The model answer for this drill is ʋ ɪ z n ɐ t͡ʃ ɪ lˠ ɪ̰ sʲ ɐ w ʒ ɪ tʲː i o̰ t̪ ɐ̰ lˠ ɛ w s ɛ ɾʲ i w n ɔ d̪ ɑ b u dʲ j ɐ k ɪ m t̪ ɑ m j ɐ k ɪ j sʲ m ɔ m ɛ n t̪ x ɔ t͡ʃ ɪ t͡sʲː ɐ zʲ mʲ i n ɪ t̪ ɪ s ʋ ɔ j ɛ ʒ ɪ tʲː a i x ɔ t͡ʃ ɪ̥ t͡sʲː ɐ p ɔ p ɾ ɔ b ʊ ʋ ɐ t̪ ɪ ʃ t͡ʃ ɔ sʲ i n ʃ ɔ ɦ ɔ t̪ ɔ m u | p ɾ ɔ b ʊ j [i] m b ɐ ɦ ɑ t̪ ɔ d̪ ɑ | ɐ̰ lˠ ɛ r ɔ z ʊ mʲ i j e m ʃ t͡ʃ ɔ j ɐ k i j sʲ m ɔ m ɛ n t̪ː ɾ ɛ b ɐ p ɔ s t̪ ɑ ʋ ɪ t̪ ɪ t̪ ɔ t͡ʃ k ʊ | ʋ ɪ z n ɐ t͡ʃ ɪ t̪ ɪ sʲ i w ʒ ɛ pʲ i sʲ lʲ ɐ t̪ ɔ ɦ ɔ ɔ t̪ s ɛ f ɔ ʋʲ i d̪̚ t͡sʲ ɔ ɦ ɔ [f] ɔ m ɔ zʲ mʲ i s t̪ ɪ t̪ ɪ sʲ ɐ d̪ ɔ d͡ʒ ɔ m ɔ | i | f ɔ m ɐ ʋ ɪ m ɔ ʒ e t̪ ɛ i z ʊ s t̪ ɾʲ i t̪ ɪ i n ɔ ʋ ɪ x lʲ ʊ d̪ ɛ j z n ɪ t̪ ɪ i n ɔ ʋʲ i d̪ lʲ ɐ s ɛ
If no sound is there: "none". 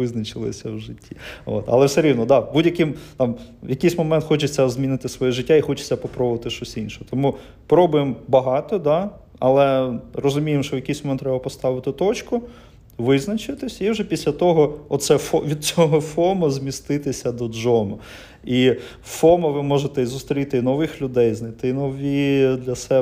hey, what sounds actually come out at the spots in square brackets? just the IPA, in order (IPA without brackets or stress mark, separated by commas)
e, f